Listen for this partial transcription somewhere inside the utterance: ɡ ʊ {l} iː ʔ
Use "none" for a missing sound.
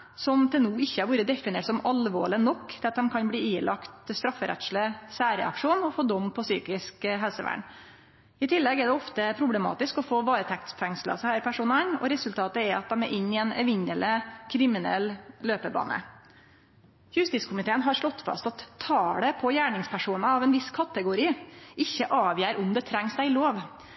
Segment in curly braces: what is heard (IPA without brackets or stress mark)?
ɾ